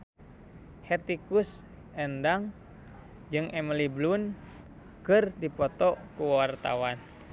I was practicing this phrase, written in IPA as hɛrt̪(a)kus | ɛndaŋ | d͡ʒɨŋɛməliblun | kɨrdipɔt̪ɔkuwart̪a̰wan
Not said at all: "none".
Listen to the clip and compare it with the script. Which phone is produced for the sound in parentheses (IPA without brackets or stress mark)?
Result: i